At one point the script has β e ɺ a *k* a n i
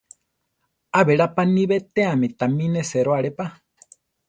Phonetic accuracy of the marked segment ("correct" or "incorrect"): incorrect